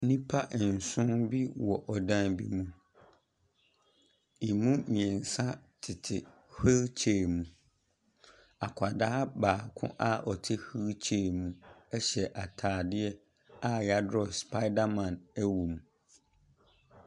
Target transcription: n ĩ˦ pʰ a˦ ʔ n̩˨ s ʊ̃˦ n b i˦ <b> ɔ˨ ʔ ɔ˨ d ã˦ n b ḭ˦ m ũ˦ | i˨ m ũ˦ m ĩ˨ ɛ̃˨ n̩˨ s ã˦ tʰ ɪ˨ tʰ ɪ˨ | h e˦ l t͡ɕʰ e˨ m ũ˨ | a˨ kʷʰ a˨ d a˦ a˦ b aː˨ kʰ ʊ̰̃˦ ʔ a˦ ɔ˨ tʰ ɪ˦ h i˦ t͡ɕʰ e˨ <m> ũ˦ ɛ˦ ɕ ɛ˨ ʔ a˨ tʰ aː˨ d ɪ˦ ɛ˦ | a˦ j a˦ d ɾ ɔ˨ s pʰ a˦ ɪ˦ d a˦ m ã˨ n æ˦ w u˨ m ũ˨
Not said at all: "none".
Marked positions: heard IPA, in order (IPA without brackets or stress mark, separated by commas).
w, m